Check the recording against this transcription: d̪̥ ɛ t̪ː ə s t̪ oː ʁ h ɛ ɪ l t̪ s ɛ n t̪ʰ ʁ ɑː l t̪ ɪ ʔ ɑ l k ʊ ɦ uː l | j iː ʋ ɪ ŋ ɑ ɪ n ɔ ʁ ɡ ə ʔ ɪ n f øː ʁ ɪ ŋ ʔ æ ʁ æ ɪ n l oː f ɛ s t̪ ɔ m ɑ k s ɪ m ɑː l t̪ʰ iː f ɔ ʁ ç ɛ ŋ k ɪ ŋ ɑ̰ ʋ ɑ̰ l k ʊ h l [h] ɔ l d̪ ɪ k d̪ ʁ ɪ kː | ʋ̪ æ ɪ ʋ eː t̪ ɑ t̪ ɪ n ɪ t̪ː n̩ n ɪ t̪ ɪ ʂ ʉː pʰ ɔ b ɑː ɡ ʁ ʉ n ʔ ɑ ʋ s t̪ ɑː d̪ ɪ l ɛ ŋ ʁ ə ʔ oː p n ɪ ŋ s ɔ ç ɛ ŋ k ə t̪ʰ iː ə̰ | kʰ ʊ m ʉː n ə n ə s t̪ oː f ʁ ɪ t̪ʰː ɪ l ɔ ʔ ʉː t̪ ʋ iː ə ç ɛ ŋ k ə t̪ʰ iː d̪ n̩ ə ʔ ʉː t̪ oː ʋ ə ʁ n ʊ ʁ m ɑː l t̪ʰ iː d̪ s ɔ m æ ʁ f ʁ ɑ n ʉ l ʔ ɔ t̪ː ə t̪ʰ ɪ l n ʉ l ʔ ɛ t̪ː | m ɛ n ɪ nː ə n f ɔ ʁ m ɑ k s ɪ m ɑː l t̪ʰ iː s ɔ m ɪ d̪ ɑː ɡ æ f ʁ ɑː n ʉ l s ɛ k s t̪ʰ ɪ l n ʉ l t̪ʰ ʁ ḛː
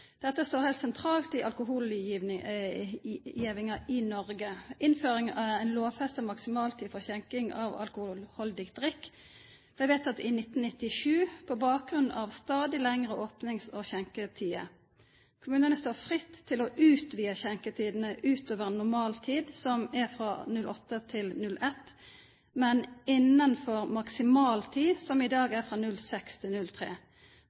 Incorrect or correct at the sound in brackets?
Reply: correct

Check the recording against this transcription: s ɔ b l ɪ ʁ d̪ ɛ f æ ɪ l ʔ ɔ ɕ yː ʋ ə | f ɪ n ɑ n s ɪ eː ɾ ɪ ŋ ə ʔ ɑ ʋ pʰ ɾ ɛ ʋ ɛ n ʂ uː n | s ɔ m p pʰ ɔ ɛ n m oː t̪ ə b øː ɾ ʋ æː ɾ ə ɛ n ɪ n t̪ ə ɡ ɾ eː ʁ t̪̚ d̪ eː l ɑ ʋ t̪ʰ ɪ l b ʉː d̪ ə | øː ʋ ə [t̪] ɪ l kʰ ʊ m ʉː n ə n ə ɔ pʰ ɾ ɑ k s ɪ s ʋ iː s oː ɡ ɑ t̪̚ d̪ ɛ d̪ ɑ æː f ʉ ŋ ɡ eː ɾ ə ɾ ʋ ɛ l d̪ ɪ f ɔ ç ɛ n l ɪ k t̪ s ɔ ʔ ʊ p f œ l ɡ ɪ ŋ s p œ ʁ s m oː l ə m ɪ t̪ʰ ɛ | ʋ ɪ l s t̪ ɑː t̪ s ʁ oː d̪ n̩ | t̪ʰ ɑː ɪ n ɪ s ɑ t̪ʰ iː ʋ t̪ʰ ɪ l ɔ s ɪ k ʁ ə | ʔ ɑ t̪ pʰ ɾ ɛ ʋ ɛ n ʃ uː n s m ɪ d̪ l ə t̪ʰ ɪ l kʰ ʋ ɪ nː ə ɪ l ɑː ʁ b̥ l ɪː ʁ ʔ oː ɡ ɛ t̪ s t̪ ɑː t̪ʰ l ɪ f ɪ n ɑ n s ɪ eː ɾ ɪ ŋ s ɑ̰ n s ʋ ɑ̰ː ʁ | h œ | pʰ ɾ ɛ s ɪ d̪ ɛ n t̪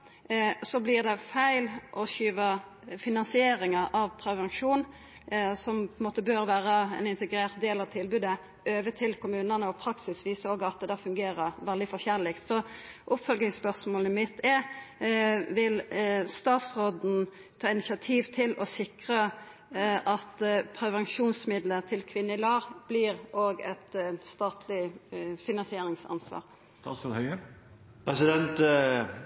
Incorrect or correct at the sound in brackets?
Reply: incorrect: t̪ʰ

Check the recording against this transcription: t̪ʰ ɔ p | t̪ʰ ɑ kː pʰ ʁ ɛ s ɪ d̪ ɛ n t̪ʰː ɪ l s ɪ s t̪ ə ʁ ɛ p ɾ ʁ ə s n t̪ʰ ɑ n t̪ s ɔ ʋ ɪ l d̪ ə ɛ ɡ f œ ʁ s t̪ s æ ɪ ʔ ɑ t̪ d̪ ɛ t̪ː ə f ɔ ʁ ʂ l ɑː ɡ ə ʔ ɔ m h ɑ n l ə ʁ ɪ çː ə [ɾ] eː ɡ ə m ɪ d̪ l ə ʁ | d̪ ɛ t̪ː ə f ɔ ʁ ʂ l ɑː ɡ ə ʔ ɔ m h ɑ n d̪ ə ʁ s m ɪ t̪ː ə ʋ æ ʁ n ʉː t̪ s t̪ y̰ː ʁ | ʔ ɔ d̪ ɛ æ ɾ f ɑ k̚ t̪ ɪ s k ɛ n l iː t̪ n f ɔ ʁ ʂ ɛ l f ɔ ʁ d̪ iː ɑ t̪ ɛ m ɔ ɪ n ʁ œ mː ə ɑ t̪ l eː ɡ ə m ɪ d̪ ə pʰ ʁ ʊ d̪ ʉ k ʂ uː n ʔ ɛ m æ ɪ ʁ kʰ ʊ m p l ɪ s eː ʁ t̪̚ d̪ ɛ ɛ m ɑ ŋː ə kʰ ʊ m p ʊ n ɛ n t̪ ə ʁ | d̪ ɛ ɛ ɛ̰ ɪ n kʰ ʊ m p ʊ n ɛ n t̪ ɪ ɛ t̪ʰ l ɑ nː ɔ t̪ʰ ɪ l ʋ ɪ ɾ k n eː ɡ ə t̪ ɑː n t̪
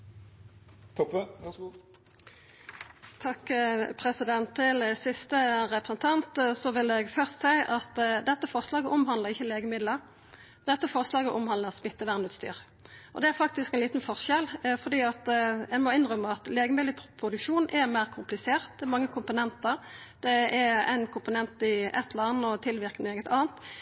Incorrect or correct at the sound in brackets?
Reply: incorrect: l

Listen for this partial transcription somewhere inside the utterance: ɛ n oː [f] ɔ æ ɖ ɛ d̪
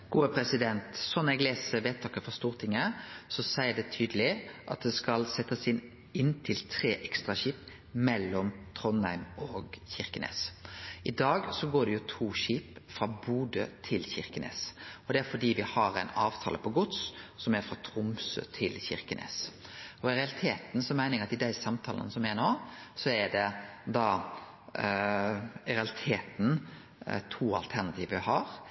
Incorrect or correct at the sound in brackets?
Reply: incorrect: s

